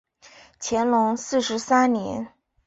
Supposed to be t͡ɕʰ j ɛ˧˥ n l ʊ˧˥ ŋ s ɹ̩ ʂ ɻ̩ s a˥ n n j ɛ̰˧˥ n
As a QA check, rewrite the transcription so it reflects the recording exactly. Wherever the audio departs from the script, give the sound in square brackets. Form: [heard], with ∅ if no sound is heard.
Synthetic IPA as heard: t͡ɕʰ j ɛ˧˥ n l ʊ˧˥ ŋ s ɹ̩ ʂ ɻ̩ s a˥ n n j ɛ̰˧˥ n